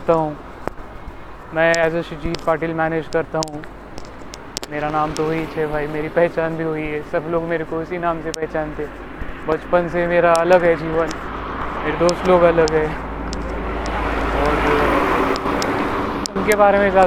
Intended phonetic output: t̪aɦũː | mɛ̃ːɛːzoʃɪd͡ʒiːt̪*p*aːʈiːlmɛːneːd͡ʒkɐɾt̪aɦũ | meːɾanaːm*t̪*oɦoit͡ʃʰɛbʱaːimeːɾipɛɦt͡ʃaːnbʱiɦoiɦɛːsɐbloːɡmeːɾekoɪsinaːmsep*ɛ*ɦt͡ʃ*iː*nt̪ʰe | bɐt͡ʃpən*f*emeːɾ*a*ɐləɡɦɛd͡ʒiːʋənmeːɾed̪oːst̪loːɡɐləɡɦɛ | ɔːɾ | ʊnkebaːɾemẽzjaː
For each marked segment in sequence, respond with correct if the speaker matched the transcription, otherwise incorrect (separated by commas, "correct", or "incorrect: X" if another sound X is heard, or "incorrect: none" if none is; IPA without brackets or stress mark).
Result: correct, correct, correct, incorrect: aː, incorrect: s, correct